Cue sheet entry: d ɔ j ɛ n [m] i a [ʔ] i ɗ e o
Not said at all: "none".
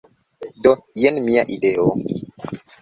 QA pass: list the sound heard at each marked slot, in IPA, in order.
m, ʔ

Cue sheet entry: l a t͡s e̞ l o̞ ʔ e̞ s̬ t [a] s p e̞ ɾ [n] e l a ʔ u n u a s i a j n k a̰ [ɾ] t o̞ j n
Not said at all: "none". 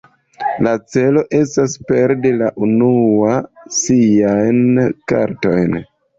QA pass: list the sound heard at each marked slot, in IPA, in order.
a, d, ɾ

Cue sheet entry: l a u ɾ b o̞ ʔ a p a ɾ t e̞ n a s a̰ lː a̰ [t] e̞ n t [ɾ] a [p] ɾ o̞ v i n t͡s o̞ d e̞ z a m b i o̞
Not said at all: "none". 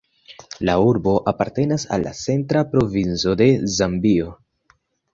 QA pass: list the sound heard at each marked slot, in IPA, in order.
t͡s, ɾ, p

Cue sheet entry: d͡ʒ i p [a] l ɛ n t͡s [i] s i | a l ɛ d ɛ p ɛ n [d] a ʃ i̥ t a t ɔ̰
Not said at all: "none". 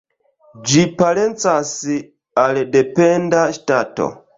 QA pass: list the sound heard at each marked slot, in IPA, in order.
a, a, d

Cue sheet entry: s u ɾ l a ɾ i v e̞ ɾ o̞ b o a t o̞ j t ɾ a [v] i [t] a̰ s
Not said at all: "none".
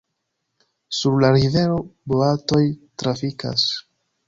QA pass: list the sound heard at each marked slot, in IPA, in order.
f, k

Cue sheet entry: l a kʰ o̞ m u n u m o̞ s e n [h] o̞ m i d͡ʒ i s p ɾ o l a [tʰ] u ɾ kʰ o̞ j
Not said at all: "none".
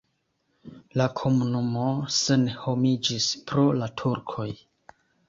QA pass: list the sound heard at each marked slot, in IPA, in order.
h, tʰ

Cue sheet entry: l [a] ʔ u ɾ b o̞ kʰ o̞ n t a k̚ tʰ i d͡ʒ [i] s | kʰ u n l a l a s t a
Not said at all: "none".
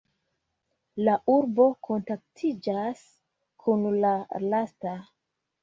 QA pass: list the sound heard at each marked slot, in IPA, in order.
a, a

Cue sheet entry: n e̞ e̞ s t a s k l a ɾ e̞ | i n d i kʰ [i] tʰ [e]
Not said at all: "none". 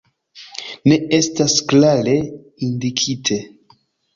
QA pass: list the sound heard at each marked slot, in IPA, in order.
i, e

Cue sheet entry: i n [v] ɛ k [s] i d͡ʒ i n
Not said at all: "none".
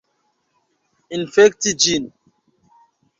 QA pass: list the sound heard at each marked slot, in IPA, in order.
f, t

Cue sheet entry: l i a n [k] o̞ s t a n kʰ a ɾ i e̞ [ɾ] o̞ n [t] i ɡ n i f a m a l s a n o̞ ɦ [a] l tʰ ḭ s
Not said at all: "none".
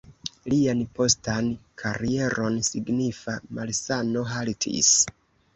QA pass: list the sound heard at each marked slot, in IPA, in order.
p, ɾ, s, a

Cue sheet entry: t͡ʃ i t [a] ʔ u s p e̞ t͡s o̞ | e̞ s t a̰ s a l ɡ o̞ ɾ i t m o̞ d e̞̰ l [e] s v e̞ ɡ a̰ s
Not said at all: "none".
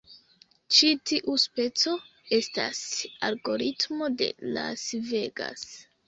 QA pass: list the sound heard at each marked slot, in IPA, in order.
i, a

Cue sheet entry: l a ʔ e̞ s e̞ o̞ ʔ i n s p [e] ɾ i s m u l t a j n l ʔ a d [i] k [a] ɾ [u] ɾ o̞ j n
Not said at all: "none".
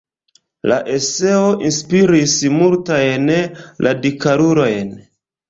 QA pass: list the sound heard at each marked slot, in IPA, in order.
i, i, a, u

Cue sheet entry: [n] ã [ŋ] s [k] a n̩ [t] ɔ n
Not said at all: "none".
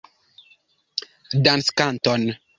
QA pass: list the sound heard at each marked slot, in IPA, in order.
d, n, k, t

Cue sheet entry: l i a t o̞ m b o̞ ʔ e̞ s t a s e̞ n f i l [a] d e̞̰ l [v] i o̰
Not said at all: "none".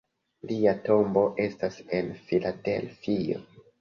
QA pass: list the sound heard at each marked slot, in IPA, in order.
a, f

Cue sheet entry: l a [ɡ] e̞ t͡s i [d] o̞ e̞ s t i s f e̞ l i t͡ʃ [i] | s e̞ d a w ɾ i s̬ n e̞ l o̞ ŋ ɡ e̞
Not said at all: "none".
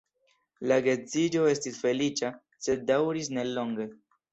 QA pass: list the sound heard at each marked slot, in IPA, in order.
ɡ, d͡ʒ, a

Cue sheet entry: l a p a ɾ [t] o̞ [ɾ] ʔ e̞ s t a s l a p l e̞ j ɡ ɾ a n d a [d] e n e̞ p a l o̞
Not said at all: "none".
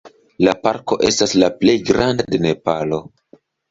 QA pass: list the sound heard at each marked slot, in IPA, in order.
k, none, d

